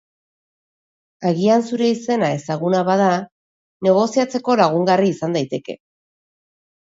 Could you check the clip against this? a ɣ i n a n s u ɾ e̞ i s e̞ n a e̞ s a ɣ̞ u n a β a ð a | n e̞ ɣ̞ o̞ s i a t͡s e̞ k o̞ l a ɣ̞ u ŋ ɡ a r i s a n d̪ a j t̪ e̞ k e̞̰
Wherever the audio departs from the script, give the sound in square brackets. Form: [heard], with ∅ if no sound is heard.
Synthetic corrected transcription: a ɣ i [∅] a n s u ɾ e̞ i s e̞ n a e̞ s a ɣ̞ u n a β a ð a | n e̞ ɣ̞ o̞ s i a t͡s e̞ k o̞ l a ɣ̞ u ŋ ɡ a r [iː] s a n d̪ a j t̪ e̞ k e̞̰